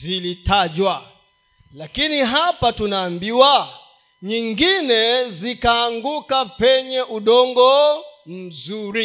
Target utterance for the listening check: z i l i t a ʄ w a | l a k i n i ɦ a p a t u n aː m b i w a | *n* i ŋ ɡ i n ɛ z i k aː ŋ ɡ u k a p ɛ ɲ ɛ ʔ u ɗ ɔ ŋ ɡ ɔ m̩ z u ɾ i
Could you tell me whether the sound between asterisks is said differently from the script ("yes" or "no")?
yes